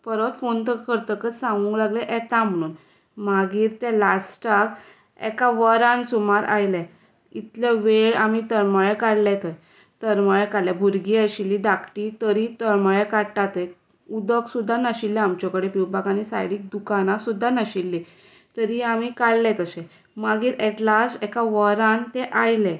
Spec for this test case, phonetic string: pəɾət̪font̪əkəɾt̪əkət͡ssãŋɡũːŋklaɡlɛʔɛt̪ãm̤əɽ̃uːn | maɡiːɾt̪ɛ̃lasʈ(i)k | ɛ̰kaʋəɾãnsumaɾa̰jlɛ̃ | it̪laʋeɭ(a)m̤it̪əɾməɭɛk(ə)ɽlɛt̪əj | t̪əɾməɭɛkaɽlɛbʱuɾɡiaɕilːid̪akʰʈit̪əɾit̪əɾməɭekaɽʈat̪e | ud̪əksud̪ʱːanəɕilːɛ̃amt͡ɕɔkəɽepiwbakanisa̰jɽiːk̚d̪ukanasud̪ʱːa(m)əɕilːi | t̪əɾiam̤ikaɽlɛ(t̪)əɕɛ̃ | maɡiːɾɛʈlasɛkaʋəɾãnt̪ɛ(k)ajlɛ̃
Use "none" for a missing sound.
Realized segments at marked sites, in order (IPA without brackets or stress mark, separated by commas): a, a, a, n, t̪, ʔ